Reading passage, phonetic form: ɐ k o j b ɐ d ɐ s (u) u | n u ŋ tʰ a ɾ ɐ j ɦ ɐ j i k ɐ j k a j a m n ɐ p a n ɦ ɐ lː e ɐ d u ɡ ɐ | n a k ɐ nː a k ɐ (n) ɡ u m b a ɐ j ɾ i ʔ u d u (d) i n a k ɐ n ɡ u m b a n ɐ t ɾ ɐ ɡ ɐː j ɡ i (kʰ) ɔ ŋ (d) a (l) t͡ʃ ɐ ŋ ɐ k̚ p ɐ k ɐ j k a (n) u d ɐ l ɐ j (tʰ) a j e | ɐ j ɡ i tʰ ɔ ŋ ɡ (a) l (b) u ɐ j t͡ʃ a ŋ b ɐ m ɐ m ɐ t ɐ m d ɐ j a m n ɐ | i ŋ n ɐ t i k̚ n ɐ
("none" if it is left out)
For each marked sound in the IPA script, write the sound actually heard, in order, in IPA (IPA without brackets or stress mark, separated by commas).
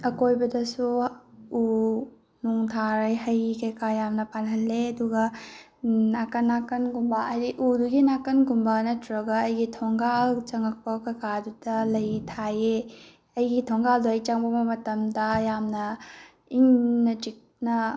u, n, ɡ, tʰ, ɡ, l, d, tʰ, a, d